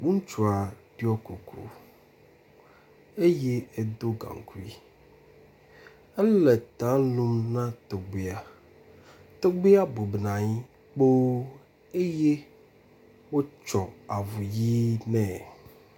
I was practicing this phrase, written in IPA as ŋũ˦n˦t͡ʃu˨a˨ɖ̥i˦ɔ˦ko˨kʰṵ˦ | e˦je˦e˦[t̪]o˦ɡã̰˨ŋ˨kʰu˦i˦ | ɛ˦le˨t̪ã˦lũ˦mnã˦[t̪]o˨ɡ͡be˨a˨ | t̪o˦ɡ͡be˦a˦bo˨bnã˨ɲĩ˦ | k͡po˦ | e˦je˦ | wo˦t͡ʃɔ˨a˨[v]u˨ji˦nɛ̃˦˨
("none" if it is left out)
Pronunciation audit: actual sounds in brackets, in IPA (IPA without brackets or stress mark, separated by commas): d̪, t̪, v